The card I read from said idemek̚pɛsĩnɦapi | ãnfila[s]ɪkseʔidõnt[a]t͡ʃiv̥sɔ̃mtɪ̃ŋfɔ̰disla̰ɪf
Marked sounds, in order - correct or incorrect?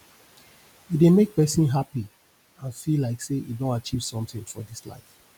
incorrect, correct

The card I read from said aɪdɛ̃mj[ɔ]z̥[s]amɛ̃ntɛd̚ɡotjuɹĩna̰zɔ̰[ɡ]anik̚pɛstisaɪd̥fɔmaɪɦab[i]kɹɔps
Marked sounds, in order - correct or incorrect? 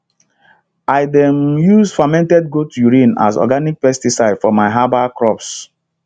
incorrect, incorrect, correct, incorrect

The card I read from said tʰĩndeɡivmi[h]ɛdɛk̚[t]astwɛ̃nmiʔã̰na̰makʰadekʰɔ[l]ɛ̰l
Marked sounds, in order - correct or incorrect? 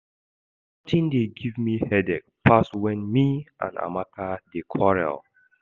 correct, incorrect, incorrect

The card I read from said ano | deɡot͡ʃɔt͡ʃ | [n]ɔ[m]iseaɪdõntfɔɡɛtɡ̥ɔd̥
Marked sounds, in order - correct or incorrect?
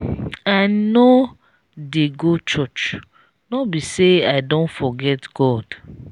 correct, incorrect

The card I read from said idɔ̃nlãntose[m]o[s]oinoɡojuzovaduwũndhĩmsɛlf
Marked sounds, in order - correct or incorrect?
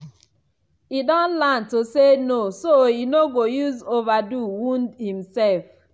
incorrect, correct

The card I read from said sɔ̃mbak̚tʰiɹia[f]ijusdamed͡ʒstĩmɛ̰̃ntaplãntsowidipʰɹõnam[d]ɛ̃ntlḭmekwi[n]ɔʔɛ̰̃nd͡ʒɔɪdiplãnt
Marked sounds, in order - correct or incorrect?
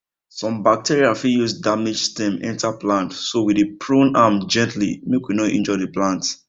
correct, incorrect, correct

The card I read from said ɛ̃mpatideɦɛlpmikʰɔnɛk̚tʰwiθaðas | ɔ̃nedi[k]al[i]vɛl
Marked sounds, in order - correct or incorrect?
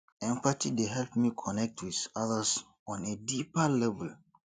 incorrect, incorrect

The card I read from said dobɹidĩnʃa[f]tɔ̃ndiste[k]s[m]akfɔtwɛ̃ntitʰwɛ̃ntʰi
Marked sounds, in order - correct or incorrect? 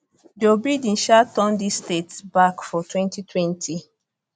incorrect, incorrect, incorrect

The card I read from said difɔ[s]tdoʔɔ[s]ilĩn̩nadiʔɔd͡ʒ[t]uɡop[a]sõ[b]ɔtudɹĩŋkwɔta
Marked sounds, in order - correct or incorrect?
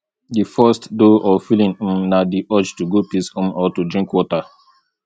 correct, incorrect, correct, incorrect, incorrect

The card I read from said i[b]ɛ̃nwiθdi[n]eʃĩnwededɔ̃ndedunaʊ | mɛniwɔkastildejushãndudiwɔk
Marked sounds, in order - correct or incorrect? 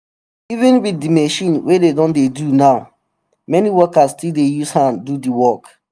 incorrect, incorrect

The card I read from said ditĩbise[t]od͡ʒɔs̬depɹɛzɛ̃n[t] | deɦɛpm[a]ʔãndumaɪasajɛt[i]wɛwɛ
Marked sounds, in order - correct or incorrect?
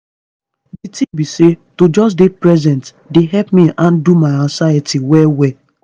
correct, correct, incorrect, correct

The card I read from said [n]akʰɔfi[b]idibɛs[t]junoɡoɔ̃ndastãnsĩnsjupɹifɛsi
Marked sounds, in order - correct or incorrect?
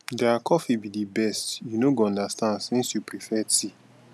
incorrect, correct, correct

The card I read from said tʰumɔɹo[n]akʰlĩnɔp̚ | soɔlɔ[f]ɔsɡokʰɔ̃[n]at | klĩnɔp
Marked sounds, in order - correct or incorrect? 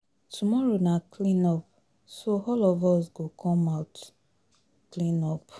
correct, incorrect, incorrect

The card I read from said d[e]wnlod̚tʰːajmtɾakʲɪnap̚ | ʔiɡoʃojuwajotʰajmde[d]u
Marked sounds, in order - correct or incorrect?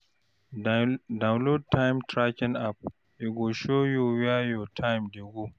incorrect, incorrect

